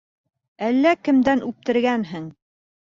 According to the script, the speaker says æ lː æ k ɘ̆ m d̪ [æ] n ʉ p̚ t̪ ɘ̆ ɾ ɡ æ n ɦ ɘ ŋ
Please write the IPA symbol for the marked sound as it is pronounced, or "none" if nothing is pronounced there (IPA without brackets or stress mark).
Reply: æ